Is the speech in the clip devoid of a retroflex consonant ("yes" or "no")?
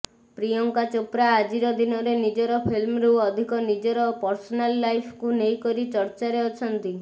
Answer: yes